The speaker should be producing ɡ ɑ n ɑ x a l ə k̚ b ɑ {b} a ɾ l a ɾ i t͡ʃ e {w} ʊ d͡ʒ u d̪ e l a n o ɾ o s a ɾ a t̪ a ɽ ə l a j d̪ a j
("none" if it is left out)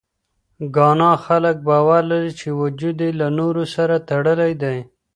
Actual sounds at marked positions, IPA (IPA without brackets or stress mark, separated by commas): w, w